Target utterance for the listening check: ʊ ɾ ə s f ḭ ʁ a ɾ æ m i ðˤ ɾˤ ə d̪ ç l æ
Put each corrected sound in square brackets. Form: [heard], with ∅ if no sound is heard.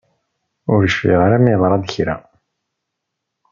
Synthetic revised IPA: ʊ ɾ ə [ʃ] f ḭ ʁ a ɾ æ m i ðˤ ɾˤ [ɑ] d̪ ç [ɾ] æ